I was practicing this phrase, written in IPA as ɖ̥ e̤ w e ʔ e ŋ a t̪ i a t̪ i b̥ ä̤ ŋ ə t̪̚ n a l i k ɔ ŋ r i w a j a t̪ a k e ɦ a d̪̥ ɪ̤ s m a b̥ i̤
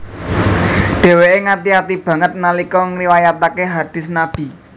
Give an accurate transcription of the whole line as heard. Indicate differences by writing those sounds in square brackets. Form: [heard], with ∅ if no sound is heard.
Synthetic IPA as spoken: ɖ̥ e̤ w e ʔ e ŋ a t̪ i a t̪ i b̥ ä̤ ŋ ə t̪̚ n a l i k ɔ ŋ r i w a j a t̪ a k e ɦ a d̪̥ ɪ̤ s [n] a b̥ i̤